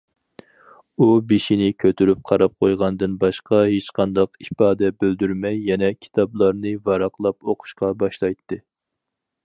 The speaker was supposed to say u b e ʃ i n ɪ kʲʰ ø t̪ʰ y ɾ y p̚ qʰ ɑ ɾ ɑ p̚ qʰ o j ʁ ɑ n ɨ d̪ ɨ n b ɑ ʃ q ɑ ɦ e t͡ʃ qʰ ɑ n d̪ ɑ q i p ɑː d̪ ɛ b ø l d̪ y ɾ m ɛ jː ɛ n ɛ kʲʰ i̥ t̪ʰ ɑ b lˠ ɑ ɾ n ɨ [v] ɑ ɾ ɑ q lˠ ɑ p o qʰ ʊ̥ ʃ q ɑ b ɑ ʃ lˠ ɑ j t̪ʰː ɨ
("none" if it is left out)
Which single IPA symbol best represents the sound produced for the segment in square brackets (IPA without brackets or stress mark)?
v